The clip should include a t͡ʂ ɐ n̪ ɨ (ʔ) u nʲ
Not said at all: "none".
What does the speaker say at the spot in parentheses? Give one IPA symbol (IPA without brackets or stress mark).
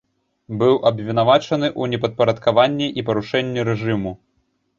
ʔ